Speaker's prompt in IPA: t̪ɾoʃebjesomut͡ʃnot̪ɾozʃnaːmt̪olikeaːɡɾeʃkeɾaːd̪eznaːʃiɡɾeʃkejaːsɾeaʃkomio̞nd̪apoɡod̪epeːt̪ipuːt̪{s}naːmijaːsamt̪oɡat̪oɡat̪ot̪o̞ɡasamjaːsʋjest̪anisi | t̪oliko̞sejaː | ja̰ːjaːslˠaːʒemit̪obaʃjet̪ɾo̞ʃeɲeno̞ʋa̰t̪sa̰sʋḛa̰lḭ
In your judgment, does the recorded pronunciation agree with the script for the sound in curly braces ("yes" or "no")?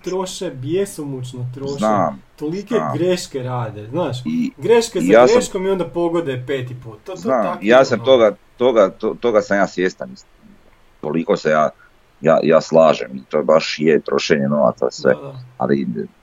no